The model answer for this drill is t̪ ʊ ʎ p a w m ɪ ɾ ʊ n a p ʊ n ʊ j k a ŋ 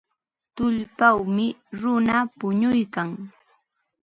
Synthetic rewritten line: t̪ ʊ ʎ p a w m ɪ ɾ ʊ n a p ʊ ɲ ʊ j k a ŋ